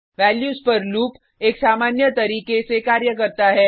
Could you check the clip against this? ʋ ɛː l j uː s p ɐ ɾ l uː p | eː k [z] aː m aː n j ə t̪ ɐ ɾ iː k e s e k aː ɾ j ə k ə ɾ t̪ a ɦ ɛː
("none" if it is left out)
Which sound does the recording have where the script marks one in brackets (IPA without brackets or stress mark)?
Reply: s